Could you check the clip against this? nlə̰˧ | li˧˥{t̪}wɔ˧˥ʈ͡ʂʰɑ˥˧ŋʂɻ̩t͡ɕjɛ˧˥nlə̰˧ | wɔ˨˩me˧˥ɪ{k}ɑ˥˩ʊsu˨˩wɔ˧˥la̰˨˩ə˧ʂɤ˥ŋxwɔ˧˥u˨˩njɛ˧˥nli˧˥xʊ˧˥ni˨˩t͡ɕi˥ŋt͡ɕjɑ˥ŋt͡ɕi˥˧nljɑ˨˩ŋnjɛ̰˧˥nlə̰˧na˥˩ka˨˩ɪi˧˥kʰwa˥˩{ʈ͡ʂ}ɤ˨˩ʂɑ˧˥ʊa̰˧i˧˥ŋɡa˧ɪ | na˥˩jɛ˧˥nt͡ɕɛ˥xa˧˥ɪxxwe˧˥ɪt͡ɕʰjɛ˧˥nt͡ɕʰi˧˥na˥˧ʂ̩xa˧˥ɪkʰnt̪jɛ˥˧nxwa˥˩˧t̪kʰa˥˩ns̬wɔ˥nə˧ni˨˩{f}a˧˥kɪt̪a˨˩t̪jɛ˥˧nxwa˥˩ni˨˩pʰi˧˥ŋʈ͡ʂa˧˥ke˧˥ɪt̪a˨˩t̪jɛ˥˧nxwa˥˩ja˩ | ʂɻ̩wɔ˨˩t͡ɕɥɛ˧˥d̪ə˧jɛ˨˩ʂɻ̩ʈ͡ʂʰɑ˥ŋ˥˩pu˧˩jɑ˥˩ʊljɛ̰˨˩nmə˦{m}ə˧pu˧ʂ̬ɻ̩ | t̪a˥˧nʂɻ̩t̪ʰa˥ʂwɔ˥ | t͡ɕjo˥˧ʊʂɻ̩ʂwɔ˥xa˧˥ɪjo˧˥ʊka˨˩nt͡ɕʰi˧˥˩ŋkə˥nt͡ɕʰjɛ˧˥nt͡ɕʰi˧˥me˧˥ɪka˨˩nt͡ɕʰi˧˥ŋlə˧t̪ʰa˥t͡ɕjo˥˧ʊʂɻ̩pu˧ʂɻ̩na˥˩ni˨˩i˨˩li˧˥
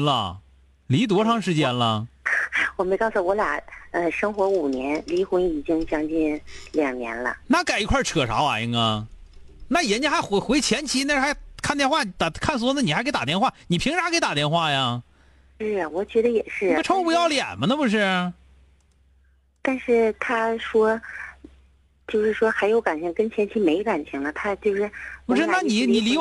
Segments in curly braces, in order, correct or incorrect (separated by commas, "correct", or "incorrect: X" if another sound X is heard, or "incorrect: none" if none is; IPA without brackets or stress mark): correct, correct, incorrect: ʈ͡ʂʰ, incorrect: x, incorrect: n